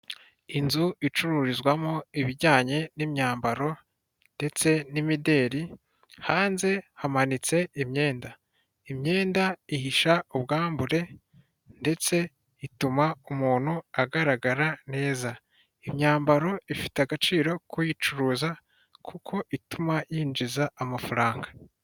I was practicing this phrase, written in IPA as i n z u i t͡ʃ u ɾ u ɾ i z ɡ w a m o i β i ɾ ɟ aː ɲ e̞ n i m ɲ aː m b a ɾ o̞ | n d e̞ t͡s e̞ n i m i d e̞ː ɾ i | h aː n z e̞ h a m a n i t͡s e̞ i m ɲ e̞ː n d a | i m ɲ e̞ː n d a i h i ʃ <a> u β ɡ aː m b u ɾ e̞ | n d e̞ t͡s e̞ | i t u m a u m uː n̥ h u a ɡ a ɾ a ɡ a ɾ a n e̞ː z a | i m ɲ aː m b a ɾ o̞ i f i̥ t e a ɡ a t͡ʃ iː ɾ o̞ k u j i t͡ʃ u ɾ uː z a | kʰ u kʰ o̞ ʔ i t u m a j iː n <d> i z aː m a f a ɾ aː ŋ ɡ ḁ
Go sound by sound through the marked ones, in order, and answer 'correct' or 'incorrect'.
correct, incorrect: d͡ʒ

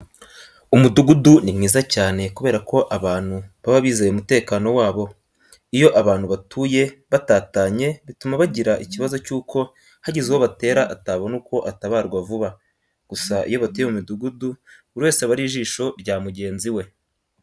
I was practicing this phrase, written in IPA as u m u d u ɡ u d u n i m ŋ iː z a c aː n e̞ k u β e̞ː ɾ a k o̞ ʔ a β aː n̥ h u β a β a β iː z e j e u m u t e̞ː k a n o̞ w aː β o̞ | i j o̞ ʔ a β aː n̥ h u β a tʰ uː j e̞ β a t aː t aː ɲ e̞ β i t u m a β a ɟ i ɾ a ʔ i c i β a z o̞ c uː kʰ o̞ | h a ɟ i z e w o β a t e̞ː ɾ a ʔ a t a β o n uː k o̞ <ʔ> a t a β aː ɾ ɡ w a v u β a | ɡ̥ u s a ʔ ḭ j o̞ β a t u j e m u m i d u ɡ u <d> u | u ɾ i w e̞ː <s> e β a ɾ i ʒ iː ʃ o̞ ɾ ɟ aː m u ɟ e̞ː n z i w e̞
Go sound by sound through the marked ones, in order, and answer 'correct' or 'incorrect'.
correct, correct, correct

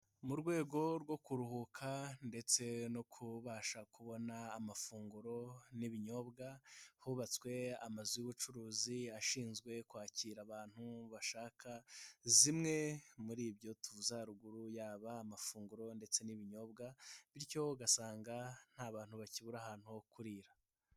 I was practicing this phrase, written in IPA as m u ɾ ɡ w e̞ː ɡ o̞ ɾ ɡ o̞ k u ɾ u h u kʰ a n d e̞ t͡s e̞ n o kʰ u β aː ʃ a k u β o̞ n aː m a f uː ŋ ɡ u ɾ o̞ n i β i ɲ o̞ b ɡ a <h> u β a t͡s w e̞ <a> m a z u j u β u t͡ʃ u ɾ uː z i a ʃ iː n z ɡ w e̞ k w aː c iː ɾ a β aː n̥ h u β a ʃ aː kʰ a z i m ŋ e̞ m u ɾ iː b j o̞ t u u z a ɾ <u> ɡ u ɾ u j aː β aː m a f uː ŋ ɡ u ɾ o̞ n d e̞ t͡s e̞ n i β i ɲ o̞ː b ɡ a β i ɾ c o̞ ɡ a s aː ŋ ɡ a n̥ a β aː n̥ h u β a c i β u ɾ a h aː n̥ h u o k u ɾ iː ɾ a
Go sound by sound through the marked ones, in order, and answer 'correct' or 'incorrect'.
correct, correct, correct

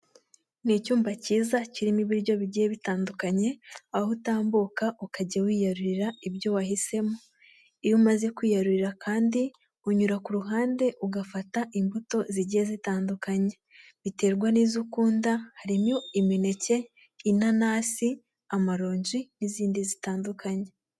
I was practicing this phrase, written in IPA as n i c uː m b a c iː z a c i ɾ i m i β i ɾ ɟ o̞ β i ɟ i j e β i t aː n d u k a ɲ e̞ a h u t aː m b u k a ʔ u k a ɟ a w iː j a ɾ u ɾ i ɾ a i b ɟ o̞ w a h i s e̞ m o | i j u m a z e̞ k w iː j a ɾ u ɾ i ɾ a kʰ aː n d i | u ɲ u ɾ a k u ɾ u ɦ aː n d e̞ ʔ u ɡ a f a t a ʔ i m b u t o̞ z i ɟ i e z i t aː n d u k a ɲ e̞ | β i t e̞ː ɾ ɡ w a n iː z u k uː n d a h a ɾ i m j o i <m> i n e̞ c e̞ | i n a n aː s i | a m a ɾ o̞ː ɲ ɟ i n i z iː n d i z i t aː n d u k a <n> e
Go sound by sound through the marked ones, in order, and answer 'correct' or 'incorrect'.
correct, incorrect: ɲ

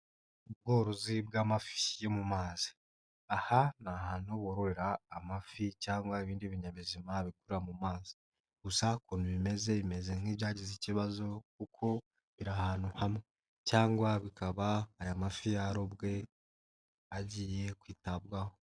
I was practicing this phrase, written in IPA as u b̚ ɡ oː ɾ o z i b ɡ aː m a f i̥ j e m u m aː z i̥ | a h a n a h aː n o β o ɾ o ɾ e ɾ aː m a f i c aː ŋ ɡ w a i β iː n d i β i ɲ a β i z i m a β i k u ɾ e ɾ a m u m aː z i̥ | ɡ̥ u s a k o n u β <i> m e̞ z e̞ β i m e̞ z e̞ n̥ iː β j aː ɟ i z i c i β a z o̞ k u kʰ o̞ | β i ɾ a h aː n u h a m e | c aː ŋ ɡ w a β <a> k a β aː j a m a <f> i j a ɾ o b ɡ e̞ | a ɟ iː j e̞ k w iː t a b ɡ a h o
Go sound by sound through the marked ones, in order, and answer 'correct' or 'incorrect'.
correct, incorrect: i, correct

